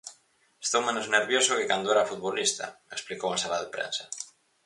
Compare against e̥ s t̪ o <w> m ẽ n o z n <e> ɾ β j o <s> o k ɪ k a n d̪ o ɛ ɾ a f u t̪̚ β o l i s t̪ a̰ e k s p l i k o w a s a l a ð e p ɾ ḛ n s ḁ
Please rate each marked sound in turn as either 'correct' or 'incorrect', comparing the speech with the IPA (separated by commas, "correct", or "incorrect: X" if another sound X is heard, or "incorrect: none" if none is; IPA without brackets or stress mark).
correct, correct, correct